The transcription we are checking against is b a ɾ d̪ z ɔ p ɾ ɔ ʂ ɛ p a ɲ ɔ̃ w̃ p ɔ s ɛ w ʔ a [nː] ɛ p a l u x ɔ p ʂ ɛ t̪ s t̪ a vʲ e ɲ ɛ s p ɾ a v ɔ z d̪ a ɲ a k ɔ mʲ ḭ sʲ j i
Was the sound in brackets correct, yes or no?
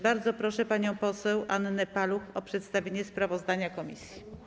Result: yes